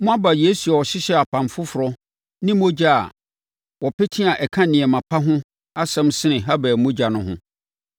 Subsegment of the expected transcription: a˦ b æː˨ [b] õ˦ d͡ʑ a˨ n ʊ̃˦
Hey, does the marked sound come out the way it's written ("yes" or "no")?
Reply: no